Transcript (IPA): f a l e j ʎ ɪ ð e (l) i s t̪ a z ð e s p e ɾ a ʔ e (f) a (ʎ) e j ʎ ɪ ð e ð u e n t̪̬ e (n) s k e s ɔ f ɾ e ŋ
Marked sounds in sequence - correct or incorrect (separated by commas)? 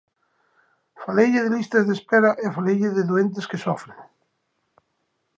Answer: correct, correct, incorrect, incorrect